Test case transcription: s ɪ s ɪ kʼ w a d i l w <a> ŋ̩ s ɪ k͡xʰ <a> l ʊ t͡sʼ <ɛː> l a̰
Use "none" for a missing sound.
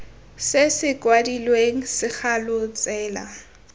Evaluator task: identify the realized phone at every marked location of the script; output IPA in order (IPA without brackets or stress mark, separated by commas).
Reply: e, a, ɛː